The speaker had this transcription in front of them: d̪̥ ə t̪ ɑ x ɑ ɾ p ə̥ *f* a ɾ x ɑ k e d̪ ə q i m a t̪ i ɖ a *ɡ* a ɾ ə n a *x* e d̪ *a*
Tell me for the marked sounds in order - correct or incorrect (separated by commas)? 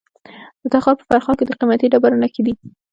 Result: correct, incorrect, incorrect, incorrect